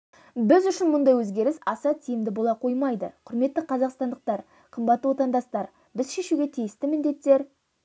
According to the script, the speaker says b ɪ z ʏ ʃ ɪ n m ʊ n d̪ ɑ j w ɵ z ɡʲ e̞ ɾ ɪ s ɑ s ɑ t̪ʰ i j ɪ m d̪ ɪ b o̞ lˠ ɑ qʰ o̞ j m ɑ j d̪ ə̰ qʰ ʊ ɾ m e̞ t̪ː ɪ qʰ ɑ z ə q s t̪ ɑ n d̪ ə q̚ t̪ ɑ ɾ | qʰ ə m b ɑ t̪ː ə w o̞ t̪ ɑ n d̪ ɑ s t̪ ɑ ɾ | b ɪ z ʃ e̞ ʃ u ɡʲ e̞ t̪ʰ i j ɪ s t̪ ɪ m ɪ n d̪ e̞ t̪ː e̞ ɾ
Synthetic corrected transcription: b ɪ z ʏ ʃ ɪ n m ʊ n d̪ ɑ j w ɵ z ɡʲ e̞ ɾ ɪ s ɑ s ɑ t̪ʰ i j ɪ m d̪ ɪ b o̞ lˠ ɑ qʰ o̞ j m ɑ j d̪ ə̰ qʰ ʊ ɾ m e̞ t̪ː ɪ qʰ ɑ z ɑ q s t̪ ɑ n d̪ ə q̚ t̪ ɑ ɾ | qʰ ə m b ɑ t̪ː ə w o̞ t̪ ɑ n d̪ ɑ s t̪ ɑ ɾ | b ɪ z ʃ e̞ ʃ u ɡʲ e̞ t̪ʰ i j ɪ s t̪ ɪ m ɪ n d̪ e̞ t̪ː e̞ ɾ